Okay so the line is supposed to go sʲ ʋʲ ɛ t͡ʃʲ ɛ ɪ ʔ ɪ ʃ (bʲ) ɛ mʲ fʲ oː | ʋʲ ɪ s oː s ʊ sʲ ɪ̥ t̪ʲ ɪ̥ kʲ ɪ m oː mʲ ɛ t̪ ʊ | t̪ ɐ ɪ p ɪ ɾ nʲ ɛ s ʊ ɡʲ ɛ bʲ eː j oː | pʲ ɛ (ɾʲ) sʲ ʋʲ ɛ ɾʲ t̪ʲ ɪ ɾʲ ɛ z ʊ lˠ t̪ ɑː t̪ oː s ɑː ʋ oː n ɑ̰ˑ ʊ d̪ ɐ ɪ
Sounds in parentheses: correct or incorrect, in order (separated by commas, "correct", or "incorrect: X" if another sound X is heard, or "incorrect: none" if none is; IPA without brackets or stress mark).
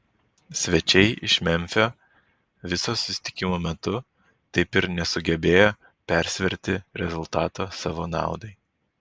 incorrect: mʲ, correct